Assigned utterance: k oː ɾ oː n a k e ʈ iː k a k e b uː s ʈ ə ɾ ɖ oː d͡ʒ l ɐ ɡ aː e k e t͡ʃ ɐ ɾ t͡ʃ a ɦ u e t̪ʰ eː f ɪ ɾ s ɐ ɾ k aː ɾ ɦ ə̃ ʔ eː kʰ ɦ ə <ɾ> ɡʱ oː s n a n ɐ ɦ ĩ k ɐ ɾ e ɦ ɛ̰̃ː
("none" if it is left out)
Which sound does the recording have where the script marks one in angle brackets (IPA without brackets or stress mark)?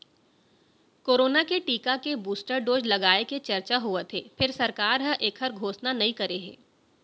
ɾ